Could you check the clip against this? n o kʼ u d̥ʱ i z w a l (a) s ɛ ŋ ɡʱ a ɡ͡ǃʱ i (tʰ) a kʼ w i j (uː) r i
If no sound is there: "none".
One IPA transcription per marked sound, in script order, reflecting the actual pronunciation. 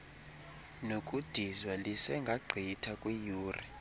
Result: i, tʰ, uː

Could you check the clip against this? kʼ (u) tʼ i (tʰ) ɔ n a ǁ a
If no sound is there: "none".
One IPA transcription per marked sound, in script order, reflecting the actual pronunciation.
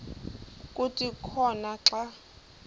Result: u, kʰ

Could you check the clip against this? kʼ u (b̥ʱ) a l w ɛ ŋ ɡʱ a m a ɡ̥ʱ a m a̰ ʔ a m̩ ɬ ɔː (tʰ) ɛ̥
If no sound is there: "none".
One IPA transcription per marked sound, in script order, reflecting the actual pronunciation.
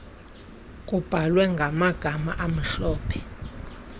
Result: b̥ʱ, pʰ

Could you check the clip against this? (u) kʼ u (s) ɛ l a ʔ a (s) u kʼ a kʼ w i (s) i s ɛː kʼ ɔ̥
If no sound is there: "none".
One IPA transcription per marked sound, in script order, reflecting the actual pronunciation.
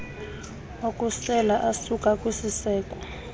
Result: o, s, s, s

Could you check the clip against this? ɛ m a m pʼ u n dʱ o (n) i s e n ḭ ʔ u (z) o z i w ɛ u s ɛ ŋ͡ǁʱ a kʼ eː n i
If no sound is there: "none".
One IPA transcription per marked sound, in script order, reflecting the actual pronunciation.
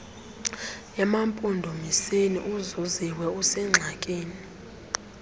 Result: m, z

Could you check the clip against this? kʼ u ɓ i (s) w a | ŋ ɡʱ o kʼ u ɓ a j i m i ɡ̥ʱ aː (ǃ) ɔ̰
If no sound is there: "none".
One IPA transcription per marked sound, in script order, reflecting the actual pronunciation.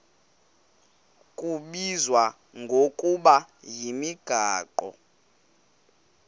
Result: z, ǃ

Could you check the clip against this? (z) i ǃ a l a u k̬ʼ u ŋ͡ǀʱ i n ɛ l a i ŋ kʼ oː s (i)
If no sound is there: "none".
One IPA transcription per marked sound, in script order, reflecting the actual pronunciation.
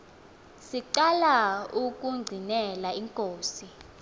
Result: s, i

